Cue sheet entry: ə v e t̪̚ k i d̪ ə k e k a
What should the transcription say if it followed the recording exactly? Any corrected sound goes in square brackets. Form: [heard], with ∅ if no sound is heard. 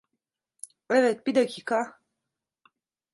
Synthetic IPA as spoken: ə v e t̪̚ [p] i d̪ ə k [i] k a